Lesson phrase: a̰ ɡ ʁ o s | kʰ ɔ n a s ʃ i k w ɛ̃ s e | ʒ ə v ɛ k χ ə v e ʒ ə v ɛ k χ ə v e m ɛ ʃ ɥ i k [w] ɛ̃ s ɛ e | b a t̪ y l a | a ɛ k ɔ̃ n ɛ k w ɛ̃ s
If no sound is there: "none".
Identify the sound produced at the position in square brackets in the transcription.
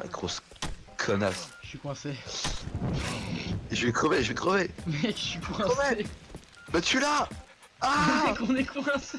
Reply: w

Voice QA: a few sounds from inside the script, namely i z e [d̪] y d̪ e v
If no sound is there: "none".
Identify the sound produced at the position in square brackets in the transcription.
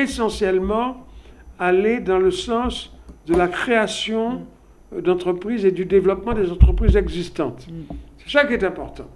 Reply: d̪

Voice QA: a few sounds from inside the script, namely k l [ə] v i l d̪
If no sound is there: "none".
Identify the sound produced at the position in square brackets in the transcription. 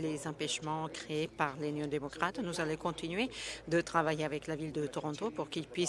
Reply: a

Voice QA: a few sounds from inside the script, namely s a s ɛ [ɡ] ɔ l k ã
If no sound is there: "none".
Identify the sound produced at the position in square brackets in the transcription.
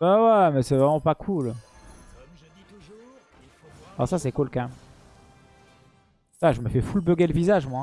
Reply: k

